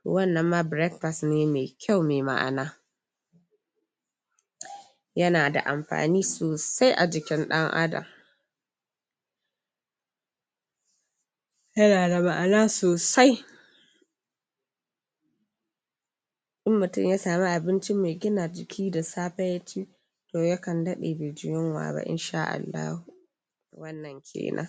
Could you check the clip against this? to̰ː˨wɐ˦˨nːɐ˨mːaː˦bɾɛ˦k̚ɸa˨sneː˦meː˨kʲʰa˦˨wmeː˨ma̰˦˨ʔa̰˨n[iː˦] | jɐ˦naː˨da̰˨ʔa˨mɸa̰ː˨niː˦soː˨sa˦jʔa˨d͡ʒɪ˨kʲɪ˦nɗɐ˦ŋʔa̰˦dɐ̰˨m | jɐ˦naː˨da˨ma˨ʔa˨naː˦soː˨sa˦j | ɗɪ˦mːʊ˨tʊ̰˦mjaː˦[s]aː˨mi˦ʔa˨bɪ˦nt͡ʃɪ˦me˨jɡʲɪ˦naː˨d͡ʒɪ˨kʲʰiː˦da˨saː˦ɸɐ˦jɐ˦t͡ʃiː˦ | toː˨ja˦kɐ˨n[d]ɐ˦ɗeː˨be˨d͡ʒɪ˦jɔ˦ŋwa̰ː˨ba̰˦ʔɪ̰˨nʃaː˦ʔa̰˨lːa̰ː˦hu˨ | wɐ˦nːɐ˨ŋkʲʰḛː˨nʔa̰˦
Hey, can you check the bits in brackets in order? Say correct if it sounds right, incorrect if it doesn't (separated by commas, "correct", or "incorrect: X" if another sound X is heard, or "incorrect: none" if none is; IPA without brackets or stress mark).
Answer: incorrect: aː˦, correct, correct